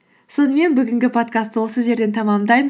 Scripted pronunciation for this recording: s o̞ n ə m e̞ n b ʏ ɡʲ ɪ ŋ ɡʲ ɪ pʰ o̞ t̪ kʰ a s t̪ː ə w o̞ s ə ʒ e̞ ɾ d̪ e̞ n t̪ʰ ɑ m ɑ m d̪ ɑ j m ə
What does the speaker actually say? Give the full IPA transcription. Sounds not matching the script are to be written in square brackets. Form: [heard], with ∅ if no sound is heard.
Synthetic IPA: s o̞ n ə m e̞ n b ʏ ɡʲ ɪ ŋ ɡʲ ɪ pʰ o̞ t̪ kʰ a s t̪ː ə w o̞ s ə ʒ e̞ ɾ d̪ e̞ n t̪ʰ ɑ m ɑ m d̪ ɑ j m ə